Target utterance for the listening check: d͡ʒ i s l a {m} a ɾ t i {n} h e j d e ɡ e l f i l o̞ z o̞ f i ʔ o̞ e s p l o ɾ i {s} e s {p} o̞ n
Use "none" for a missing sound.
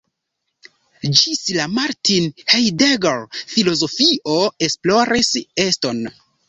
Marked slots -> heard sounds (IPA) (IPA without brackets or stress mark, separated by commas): m, n, s, t